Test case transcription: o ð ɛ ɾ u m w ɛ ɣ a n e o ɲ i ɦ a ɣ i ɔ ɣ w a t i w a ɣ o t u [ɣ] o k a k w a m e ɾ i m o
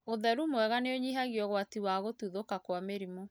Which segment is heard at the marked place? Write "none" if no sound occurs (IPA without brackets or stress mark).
ð